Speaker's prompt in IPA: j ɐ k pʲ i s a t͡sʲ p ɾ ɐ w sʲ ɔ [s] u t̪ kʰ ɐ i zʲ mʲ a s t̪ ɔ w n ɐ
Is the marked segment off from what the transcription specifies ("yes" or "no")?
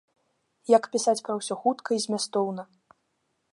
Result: yes